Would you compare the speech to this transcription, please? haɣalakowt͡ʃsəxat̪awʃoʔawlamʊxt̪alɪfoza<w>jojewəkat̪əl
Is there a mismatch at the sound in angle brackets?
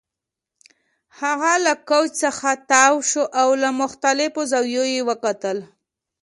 no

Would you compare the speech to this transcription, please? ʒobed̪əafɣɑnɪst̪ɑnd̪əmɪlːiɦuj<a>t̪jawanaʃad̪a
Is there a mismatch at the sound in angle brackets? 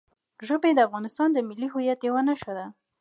no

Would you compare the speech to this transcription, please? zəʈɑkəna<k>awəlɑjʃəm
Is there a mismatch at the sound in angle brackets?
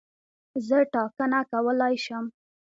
no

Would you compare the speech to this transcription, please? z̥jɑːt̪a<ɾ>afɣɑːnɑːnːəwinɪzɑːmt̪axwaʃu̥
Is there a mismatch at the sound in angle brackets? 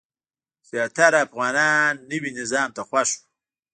no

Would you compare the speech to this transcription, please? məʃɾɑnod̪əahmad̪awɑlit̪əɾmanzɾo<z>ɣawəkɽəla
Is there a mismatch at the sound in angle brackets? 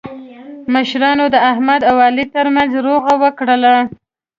yes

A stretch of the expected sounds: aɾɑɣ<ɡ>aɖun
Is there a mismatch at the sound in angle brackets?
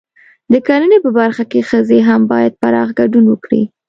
no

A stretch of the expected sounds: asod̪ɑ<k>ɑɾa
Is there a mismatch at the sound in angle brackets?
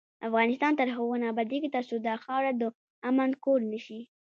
yes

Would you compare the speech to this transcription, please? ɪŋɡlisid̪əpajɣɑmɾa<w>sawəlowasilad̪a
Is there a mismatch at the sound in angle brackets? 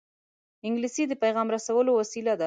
yes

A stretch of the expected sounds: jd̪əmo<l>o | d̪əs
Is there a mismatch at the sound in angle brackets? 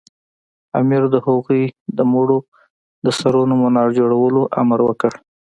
yes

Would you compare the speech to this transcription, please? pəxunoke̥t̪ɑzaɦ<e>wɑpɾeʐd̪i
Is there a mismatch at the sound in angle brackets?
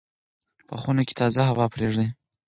yes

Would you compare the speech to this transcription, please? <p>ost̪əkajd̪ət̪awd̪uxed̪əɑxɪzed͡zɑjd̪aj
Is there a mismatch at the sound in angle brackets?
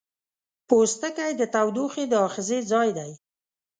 no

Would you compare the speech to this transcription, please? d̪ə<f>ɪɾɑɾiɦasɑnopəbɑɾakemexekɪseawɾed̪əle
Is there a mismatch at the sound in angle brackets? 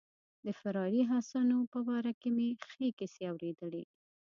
no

